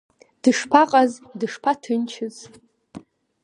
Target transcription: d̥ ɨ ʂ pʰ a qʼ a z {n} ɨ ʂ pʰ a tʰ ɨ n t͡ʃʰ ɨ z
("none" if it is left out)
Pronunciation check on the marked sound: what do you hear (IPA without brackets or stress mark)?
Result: d